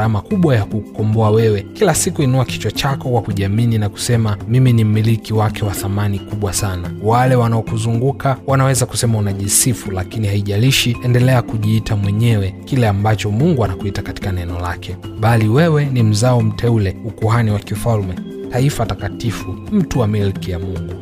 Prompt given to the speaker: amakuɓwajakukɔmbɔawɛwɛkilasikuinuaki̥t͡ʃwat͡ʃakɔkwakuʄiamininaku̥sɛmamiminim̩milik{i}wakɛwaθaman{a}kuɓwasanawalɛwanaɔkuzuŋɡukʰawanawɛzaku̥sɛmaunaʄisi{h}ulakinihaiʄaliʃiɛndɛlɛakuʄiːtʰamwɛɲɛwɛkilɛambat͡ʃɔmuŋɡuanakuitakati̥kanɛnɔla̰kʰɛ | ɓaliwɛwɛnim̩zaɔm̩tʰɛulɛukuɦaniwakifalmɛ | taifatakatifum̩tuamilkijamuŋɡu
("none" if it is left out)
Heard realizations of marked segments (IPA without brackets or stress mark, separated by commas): i, i, f